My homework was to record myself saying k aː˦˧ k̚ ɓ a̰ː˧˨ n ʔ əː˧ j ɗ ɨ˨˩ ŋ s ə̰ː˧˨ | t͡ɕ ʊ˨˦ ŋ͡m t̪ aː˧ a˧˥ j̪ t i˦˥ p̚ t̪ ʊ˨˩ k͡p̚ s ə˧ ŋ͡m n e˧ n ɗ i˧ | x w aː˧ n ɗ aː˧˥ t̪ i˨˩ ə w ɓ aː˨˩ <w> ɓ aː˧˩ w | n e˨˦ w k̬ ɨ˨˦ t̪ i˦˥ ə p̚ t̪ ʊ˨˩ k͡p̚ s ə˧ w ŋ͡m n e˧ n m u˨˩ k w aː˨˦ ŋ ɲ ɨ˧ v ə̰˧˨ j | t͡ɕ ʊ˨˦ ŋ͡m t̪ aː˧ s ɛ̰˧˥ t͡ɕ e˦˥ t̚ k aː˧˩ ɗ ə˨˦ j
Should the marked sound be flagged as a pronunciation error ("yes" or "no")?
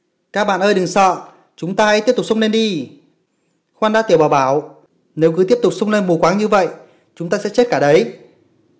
no